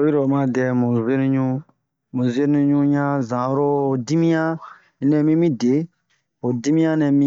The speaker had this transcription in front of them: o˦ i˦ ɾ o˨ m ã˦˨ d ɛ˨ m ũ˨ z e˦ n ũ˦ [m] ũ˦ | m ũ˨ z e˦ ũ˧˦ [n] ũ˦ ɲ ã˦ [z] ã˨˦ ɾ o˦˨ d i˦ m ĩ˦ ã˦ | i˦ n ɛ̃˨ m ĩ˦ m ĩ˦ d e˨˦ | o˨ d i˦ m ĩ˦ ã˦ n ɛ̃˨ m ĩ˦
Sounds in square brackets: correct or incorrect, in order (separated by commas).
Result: incorrect, incorrect, correct